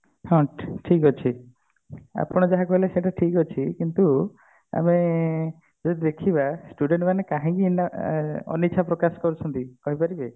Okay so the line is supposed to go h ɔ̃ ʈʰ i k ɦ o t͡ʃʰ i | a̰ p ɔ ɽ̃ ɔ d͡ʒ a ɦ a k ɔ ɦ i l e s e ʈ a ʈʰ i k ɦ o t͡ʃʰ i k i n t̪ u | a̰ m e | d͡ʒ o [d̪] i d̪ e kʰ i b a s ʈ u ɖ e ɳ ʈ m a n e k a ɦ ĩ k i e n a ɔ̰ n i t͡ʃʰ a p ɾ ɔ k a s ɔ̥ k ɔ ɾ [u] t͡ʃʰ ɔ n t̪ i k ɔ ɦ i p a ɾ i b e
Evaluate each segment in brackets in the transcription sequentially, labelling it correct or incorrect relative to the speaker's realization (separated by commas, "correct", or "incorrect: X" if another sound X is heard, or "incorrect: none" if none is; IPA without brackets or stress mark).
correct, correct